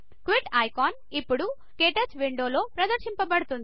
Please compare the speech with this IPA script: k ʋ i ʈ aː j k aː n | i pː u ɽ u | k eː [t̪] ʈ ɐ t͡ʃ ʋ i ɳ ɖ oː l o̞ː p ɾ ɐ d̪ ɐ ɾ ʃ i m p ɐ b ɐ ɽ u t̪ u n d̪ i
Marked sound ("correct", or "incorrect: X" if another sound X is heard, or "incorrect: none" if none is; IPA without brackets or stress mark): incorrect: none